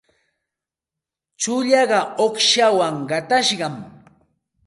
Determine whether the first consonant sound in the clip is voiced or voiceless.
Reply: voiceless